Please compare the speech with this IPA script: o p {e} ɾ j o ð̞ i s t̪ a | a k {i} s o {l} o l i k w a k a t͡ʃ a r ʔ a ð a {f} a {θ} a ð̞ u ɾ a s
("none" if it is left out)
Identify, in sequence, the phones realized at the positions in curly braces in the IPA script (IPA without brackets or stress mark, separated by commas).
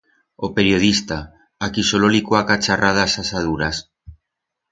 e, i, l, s, s